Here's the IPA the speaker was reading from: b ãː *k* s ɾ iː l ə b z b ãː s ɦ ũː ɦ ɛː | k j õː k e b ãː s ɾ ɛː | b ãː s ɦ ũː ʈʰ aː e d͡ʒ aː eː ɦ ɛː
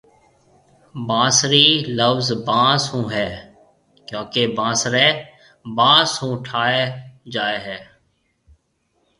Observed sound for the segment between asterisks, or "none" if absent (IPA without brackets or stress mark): none